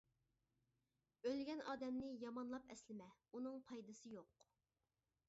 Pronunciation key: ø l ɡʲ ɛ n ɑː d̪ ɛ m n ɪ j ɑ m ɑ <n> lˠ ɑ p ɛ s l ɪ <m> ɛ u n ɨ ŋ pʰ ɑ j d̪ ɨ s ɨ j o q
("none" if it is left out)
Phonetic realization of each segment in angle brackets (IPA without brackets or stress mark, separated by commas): n, m